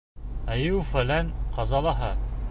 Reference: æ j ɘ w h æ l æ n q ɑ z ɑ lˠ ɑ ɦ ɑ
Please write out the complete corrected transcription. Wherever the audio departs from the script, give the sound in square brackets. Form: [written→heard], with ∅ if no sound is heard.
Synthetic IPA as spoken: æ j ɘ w [h→f] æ l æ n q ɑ z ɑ lˠ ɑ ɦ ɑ